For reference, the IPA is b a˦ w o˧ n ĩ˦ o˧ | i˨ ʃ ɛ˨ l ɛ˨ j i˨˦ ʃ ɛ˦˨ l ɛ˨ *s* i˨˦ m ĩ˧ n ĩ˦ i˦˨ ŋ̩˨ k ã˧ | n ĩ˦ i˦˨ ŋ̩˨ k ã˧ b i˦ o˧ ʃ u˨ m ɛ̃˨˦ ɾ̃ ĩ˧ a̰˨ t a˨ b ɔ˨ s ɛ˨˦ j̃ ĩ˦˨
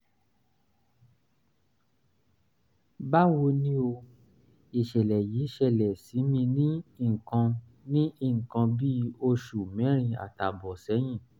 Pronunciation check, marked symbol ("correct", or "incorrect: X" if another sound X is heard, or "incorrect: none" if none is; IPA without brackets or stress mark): correct